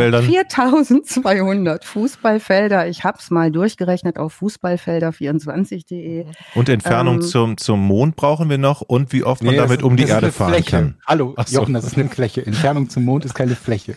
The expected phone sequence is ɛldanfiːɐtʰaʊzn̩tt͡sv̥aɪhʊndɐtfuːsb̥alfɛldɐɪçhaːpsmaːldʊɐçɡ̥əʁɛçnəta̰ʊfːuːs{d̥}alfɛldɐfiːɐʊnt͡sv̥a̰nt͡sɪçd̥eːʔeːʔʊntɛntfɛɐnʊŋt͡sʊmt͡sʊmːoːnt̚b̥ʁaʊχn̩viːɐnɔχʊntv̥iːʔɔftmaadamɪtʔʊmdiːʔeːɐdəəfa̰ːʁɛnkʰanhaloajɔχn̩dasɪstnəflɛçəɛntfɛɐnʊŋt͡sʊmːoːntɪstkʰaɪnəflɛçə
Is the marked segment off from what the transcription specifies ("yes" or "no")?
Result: yes